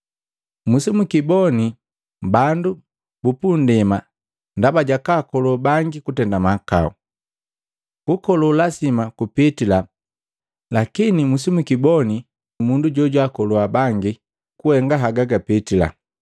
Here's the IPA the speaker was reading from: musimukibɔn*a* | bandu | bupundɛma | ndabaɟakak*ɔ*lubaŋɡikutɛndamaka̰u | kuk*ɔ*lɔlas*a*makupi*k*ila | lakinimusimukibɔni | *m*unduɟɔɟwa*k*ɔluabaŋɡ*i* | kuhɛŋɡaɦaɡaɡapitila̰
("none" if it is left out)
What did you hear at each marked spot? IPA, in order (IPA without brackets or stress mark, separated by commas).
i, ɔ, ɔ, i, t, m, k, i